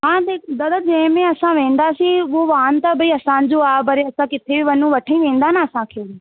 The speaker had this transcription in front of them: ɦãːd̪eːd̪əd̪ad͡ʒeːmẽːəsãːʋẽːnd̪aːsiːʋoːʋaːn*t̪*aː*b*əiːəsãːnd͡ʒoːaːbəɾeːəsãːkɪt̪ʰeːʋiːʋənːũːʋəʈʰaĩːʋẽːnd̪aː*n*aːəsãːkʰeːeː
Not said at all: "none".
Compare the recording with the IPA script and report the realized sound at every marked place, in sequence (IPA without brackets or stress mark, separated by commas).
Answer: t̪, b, n